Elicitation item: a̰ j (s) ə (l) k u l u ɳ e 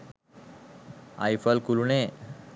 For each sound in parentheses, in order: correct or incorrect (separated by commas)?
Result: incorrect, correct